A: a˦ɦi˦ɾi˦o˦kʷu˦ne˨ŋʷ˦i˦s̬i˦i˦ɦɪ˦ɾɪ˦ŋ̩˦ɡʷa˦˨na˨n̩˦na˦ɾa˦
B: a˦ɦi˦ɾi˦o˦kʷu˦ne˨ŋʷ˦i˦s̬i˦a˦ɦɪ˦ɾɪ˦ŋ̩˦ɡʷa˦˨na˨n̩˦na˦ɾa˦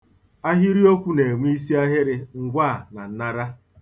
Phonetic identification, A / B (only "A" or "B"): B